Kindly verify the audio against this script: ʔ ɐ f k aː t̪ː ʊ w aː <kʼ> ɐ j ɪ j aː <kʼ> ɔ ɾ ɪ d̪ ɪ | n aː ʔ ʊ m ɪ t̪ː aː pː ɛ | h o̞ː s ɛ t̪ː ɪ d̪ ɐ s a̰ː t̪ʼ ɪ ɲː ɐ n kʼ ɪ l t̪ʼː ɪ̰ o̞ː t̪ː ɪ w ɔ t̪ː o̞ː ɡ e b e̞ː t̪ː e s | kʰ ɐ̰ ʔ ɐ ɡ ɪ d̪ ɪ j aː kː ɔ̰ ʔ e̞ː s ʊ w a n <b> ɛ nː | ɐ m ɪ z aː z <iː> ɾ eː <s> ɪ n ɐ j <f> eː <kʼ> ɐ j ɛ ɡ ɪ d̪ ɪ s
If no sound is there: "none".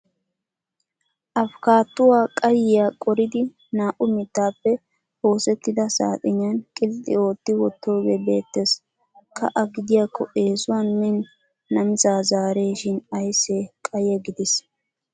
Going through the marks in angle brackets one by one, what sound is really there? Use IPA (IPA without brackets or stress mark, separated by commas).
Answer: kʼ, kʼ, m, aː, ʃ, s, kʼ